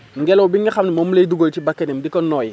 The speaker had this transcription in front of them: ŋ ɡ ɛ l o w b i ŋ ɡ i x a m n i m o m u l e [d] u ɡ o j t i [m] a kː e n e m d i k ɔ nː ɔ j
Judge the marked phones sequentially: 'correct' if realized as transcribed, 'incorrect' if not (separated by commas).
correct, incorrect